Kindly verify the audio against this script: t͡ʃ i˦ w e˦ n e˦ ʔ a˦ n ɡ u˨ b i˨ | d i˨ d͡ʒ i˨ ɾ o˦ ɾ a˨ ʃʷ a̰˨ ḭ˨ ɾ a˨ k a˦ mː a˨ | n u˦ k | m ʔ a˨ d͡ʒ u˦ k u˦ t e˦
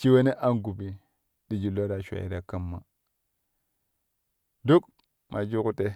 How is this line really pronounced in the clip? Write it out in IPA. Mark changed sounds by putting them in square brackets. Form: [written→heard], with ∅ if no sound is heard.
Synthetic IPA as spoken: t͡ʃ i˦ w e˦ n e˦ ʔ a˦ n ɡ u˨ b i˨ | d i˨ d͡ʒ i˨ [ɾ→l] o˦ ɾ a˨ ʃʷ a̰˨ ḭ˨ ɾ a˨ k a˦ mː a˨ | [n→d] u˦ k | m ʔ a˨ d͡ʒ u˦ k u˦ t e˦